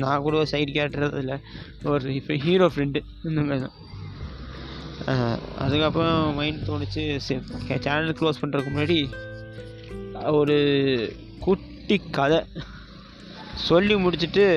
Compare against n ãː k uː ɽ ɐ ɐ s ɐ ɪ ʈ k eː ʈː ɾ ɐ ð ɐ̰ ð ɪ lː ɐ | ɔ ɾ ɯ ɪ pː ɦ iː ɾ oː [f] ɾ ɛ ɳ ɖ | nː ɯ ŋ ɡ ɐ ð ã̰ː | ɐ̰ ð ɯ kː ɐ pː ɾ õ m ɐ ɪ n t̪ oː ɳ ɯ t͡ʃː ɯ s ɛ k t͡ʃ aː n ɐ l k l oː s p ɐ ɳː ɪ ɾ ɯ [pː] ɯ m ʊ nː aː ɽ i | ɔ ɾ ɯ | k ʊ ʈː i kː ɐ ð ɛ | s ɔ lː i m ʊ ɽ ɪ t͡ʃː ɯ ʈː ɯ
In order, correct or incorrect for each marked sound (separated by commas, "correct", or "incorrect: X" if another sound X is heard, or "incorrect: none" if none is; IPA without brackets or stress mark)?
correct, incorrect: kː